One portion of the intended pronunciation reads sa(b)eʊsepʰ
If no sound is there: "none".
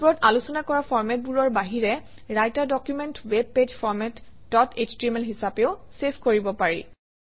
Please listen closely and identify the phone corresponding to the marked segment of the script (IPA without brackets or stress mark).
p